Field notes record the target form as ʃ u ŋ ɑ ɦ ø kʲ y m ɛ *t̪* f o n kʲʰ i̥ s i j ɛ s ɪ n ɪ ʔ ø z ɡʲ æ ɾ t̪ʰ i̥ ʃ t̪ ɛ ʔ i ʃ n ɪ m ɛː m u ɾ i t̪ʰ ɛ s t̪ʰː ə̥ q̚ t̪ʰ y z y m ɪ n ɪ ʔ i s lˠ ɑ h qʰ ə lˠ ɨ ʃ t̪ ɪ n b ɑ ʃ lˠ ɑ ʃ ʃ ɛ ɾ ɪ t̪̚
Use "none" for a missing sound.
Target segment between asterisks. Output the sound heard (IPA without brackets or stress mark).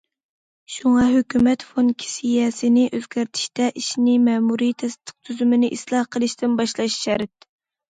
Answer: t̪